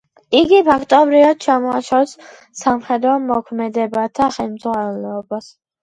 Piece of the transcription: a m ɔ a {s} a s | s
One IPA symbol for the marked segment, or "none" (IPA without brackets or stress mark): ʃ